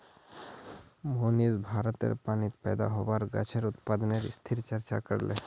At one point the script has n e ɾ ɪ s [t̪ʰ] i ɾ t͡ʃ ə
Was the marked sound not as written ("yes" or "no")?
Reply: no